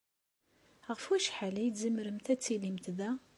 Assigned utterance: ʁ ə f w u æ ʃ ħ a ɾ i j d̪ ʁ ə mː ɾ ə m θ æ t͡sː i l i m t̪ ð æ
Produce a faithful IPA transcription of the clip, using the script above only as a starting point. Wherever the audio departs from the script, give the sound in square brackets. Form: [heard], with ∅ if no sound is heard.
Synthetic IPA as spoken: ʁ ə f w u æ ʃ ħ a [l] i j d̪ [z] ə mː ɾ ə m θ æ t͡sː i l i m t̪ ð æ